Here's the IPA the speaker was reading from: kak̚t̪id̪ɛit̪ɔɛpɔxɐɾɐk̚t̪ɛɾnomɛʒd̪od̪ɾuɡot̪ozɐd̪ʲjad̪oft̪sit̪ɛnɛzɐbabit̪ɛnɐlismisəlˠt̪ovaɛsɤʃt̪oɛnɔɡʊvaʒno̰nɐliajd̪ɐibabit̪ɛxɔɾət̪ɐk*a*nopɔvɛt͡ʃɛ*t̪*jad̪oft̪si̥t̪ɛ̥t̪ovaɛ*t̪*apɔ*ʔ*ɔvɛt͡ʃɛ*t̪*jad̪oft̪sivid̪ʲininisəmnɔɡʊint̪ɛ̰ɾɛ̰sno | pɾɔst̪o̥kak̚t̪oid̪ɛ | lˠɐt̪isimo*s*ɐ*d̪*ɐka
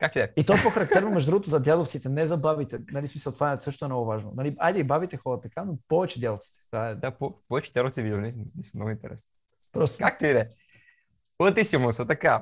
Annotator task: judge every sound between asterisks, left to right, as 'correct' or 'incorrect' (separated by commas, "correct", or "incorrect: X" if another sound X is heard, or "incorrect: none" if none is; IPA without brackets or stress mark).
correct, incorrect: d̪, incorrect: d̪, incorrect: p, incorrect: d̪, correct, incorrect: t̪